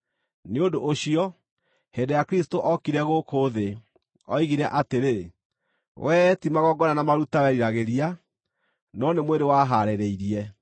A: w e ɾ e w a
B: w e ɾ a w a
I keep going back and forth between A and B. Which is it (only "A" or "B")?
A